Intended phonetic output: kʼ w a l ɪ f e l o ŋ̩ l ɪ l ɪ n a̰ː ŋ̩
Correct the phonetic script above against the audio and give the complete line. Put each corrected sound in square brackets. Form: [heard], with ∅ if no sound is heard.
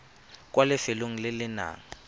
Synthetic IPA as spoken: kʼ w a l ɪ f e l o ŋ̩ l ɪ l ɪ n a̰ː ŋ̩